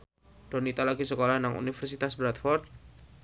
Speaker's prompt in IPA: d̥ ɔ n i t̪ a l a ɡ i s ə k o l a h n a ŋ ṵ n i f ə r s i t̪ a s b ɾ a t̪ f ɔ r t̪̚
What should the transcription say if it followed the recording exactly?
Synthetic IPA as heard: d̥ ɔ n i t̪ a l a ɡ i s ə k o l a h n a ŋ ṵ n i f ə r s i t̪ a s b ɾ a t̪ f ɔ r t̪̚